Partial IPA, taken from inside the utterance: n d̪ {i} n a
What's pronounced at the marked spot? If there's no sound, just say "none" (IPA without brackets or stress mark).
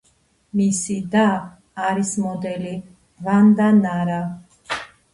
a